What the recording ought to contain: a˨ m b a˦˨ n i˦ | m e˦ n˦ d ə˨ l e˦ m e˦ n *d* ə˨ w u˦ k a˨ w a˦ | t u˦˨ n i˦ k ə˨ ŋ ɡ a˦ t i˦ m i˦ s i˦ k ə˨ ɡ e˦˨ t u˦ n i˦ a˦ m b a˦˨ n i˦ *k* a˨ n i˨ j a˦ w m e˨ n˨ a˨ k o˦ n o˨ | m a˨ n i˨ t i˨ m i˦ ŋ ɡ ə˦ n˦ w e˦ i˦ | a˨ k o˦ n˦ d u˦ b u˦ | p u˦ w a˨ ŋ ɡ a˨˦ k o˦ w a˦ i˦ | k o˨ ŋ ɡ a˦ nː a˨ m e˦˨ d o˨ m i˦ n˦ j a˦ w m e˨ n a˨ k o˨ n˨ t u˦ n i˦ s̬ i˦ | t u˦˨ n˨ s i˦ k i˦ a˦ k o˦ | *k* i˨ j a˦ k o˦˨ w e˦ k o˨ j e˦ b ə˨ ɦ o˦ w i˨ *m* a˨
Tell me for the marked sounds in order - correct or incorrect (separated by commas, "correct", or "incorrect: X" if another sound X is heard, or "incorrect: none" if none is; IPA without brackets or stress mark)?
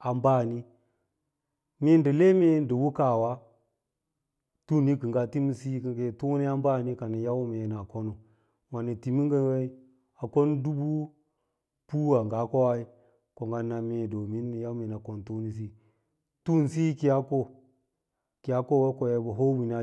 correct, correct, correct, incorrect: n